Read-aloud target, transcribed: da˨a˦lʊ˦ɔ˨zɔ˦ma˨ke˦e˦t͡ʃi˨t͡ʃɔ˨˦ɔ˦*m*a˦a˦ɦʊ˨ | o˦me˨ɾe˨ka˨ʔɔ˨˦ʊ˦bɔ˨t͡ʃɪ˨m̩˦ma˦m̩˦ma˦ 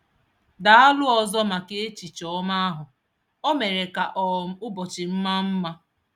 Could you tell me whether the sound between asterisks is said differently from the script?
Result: no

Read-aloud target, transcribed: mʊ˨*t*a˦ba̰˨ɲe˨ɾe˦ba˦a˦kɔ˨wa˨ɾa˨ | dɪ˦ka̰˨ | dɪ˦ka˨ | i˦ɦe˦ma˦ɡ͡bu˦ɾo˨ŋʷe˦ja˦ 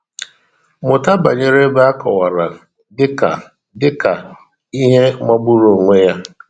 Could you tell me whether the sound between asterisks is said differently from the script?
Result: no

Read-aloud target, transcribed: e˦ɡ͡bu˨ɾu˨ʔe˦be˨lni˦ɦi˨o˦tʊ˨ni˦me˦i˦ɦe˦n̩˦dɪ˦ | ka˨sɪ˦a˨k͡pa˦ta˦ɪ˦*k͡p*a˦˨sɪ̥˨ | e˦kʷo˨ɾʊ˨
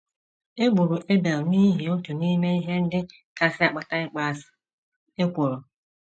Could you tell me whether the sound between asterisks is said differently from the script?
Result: no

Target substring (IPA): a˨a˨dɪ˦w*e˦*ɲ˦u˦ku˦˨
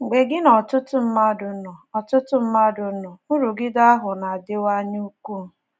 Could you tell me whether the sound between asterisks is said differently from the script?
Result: yes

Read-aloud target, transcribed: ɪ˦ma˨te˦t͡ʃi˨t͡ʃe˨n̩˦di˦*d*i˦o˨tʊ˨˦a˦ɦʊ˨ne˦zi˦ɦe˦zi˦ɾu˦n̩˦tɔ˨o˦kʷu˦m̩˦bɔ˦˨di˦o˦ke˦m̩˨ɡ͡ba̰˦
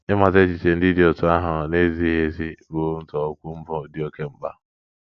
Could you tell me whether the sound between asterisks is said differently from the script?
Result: no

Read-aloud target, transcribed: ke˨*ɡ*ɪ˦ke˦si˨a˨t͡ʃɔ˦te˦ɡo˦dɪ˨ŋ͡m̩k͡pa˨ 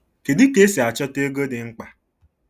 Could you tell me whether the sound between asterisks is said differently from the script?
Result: yes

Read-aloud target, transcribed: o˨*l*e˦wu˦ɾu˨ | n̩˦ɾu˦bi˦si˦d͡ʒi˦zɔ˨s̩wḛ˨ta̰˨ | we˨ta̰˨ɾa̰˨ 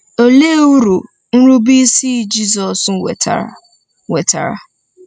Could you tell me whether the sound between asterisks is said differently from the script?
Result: no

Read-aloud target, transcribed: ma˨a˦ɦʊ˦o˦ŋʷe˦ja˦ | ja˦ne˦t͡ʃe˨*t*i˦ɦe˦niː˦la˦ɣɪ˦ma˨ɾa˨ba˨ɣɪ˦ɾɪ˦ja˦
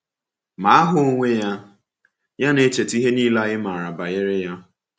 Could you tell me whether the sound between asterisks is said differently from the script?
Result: no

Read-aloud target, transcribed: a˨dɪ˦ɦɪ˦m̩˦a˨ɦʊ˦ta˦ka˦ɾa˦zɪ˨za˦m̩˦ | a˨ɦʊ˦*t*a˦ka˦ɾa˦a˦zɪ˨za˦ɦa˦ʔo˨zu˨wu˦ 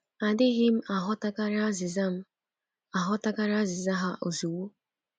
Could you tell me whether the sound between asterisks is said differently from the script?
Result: no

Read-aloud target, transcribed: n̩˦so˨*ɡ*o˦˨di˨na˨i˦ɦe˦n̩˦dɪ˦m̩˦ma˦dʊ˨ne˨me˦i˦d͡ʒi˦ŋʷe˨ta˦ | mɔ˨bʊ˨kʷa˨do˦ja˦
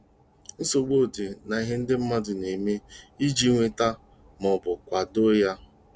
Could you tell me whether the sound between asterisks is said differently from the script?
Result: yes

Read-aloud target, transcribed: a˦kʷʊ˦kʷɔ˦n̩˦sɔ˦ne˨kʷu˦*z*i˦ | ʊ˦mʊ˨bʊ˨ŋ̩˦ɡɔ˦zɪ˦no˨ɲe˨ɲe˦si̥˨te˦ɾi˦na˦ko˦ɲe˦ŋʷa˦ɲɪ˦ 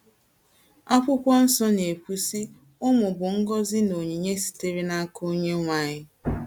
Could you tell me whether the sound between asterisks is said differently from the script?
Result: yes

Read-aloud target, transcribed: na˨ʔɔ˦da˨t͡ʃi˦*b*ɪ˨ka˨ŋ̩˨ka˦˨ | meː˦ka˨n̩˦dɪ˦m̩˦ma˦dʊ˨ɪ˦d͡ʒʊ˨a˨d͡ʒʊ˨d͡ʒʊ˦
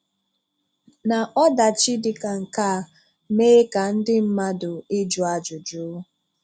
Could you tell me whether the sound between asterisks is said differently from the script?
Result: yes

